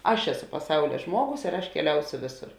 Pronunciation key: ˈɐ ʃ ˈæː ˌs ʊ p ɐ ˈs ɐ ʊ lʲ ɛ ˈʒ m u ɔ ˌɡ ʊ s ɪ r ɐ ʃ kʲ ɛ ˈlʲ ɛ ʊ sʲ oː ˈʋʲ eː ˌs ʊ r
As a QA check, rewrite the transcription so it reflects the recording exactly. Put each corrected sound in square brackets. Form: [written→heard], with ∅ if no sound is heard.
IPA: ˈɐ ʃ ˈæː ˌs ʊ p ɐ ˈs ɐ ʊ lʲ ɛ ˈʒ m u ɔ ˌɡ ʊ s ɪ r ɐ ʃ kʲ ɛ ˈlʲ ɛ ʊ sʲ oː ˈʋʲ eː ˌs ʊ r